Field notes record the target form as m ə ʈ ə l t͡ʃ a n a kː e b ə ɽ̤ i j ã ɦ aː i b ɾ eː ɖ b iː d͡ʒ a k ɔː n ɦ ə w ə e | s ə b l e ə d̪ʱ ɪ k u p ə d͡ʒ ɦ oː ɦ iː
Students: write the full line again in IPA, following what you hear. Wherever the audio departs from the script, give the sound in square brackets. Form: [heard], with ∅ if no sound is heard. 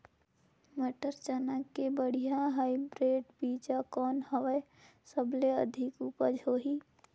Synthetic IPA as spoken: m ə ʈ ə [ɾ] t͡ʃ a n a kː e b ə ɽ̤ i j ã ɦ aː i b ɾ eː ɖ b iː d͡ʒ a k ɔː n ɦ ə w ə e | s ə b l e ə d̪ʱ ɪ k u p ə d͡ʒ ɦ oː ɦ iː